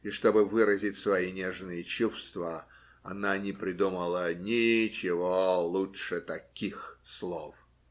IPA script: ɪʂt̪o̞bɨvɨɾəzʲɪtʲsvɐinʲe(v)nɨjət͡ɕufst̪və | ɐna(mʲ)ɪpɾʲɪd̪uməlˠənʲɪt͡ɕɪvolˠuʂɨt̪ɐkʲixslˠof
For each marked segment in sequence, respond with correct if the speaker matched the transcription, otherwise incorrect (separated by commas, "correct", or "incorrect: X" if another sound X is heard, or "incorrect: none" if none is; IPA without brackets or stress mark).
incorrect: ʐ, incorrect: nʲ